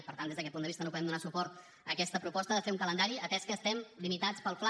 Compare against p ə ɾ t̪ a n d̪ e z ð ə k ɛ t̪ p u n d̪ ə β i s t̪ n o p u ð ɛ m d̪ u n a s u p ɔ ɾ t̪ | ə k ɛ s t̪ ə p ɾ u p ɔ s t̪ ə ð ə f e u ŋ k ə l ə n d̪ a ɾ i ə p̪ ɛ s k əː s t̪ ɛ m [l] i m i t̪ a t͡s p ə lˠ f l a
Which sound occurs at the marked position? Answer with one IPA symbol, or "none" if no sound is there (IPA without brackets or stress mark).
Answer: l